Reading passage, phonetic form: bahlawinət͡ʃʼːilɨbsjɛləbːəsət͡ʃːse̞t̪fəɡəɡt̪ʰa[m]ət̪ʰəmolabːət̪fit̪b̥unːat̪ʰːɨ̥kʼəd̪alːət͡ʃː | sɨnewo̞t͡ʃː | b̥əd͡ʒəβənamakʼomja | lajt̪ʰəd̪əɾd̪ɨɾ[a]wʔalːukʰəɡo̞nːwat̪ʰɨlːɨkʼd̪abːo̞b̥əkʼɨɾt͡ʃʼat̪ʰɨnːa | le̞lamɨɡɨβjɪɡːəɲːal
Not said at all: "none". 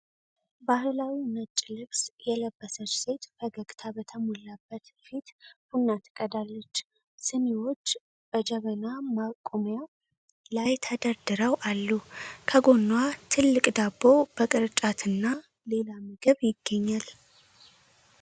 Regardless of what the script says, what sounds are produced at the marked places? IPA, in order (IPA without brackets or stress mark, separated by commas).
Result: b, ə